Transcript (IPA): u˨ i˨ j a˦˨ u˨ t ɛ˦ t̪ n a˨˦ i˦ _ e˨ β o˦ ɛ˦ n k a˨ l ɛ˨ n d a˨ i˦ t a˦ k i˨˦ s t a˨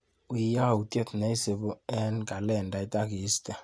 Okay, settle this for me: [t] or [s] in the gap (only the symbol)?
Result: s